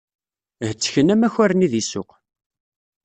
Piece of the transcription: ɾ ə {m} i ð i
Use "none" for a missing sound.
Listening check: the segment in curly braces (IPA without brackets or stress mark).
n